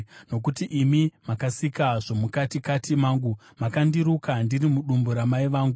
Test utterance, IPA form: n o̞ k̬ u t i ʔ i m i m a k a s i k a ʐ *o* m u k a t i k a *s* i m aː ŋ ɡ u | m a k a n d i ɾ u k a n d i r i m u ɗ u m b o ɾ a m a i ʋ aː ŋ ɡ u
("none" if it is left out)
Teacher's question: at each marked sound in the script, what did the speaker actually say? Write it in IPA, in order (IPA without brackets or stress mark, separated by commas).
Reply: o, t